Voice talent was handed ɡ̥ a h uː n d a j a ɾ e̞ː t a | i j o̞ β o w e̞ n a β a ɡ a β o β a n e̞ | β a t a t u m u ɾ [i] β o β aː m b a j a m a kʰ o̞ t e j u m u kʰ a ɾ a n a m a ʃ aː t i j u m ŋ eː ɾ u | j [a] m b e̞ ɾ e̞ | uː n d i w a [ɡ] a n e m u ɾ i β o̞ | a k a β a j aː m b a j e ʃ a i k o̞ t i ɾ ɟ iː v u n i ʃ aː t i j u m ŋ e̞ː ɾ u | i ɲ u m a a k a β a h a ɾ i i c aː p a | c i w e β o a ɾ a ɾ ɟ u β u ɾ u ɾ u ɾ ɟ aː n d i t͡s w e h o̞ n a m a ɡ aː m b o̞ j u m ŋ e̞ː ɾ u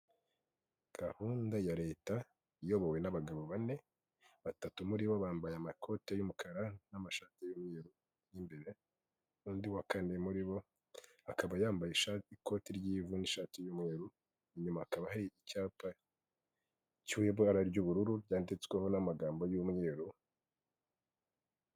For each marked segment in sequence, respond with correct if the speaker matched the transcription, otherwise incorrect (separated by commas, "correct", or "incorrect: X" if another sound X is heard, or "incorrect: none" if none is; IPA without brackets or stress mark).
correct, incorrect: i, incorrect: k